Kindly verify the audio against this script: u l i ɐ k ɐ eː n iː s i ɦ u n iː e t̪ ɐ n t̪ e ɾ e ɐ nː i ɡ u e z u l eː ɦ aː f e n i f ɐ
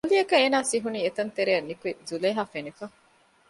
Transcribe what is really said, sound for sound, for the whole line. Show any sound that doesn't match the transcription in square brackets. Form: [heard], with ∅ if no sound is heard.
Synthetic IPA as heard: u l i ɐ k ɐ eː n [aː] s i ɦ u n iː e t̪ ɐ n t̪ e ɾ e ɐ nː i [k] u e z u l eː ɦ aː f e n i f ɐ